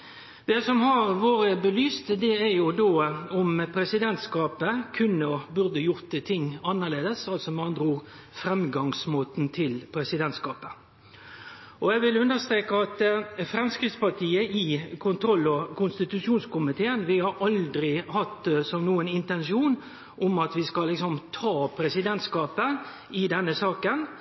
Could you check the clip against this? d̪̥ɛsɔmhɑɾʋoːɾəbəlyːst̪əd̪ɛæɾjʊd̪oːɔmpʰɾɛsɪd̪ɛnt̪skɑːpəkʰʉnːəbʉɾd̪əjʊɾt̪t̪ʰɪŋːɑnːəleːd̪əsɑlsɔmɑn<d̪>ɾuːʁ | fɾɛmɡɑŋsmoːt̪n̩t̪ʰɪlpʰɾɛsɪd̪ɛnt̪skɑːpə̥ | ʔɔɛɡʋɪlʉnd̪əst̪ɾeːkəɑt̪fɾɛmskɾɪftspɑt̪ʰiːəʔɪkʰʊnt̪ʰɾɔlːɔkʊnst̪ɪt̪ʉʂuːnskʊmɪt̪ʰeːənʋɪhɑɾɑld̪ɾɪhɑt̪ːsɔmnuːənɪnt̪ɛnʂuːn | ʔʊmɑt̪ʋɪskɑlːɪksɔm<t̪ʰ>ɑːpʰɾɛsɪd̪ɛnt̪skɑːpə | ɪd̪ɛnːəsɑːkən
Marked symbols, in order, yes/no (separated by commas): yes, yes